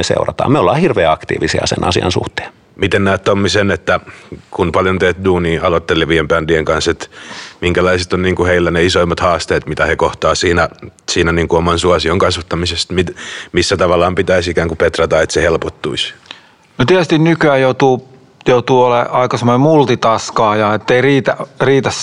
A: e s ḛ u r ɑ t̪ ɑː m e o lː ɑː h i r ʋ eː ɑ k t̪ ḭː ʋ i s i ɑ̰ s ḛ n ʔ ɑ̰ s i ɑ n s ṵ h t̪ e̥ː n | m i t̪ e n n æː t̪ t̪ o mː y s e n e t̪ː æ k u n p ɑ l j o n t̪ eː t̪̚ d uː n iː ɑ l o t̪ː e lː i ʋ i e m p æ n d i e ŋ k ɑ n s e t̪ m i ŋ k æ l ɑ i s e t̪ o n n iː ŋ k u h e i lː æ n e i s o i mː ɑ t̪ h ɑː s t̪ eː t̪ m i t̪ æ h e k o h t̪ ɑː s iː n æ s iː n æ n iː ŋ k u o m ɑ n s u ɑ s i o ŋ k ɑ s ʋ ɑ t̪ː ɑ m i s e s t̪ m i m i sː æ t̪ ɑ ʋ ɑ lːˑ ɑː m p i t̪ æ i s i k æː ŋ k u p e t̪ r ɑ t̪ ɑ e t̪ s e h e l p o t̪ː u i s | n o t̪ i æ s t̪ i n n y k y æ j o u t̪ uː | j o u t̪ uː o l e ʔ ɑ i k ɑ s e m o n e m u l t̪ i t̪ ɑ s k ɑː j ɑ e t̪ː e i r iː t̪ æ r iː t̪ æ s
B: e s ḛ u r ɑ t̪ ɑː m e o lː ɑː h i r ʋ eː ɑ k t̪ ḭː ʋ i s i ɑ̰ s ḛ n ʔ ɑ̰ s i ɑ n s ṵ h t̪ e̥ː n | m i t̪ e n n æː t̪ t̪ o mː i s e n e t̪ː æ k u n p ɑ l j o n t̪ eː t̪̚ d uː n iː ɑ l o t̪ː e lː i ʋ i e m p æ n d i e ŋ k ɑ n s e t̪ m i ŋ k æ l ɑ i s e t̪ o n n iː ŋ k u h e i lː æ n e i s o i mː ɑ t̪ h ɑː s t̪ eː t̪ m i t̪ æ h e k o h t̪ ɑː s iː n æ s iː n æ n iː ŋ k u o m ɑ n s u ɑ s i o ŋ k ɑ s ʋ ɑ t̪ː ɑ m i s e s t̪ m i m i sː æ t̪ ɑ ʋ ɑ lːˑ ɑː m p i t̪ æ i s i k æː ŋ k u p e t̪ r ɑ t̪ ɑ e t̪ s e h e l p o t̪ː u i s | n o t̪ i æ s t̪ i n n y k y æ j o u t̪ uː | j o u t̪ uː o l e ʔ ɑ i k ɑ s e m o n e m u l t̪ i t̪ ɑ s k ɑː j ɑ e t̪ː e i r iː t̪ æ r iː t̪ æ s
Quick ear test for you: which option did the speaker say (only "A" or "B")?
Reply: B